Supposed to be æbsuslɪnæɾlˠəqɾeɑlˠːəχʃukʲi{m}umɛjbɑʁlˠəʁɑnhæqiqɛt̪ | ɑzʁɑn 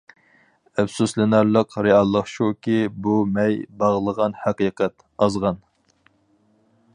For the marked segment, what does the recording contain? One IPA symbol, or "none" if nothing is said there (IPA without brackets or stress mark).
b